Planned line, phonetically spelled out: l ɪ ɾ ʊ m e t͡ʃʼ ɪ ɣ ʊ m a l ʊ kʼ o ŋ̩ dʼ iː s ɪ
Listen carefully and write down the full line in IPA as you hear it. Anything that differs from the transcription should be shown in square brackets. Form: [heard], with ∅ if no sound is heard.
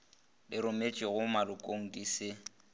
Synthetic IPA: l ɪ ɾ ʊ m e t͡ʃʼ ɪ ɣ ʊ m a l ʊ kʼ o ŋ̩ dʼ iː s ɪ